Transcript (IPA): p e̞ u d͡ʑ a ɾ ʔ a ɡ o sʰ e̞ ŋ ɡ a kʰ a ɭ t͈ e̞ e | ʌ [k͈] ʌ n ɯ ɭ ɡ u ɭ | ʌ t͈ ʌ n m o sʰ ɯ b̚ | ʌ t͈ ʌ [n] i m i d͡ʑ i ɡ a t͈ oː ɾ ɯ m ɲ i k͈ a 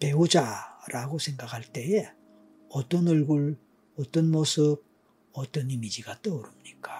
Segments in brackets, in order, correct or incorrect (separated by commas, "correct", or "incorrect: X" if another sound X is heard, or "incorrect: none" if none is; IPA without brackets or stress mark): incorrect: t͈, correct